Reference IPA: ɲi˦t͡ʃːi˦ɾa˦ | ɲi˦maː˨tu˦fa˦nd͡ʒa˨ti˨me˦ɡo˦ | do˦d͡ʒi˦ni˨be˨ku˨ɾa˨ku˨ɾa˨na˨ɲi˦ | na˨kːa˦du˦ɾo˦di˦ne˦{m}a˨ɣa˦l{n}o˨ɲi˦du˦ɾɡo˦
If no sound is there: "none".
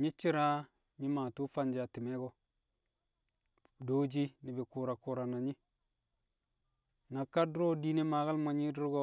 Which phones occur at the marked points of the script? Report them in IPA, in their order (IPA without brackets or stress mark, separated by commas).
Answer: m, m